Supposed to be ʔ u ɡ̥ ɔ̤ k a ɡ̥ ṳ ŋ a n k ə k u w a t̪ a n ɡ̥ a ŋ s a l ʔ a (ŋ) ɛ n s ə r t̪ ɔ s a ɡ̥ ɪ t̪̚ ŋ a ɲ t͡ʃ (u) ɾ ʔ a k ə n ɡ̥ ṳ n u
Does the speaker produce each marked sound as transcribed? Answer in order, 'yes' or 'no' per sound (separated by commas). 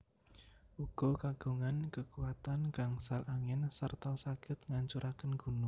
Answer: yes, yes